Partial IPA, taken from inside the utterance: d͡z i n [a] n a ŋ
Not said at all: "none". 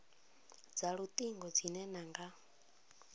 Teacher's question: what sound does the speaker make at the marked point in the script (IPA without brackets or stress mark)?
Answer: ɛ